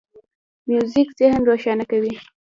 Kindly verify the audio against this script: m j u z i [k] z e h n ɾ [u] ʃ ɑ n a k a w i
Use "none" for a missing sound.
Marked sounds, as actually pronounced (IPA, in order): k, o

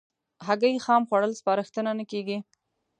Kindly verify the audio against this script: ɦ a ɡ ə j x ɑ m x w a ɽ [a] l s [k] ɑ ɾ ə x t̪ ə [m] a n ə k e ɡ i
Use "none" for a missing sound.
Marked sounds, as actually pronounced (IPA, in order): ə, p, n

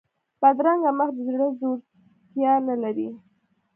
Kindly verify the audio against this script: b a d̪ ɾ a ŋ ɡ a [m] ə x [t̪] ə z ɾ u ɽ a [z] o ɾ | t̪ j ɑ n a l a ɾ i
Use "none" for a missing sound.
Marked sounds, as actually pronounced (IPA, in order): m, d̪, z

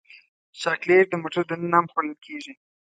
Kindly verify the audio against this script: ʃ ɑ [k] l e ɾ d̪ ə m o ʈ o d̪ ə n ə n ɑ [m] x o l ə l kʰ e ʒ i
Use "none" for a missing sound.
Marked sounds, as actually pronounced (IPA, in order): k, m

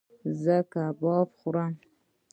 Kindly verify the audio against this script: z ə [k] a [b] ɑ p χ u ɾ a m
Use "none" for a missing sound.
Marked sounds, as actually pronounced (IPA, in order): k, b

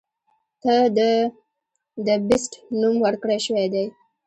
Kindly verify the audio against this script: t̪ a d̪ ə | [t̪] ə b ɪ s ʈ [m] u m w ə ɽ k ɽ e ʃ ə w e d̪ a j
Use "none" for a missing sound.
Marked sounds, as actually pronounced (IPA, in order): d̪, n

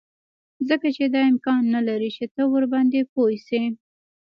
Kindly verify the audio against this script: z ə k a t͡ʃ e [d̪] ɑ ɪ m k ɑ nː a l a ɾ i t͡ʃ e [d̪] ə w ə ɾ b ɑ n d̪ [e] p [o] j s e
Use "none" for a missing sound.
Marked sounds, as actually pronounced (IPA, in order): d̪, t̪, e, o

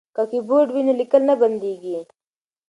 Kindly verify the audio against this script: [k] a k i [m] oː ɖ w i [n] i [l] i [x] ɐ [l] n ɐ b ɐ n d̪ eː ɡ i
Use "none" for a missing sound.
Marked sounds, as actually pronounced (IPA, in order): k, b, n, l, k, l

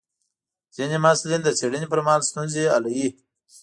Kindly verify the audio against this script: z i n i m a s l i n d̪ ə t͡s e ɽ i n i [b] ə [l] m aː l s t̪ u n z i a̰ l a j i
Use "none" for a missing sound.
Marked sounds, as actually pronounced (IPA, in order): p, ɾ

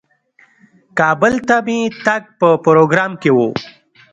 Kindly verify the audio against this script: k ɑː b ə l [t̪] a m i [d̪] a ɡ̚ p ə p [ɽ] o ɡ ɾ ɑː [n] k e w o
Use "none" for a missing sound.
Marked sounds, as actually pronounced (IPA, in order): t̪, t̪, ɾ, m

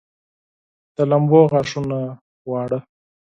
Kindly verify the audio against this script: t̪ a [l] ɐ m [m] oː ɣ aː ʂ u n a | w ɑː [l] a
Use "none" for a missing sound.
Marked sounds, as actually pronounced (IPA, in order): l, b, ɽ

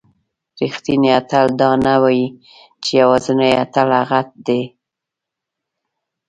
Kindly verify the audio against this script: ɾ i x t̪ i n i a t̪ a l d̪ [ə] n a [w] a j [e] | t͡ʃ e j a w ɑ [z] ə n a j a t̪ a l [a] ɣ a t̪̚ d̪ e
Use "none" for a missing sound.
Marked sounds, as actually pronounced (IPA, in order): ɑ, w, i, z, a

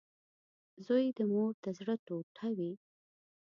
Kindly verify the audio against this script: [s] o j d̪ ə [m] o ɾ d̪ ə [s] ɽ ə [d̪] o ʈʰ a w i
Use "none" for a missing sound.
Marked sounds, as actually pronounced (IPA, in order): z, m, z, t̪

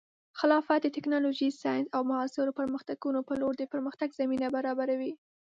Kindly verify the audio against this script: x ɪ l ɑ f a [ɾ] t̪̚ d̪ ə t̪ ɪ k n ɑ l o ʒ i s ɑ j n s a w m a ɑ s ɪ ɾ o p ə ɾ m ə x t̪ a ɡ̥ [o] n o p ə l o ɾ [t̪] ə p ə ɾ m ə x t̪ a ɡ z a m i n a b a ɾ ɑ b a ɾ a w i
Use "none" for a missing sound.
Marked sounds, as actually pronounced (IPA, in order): none, u, d̪

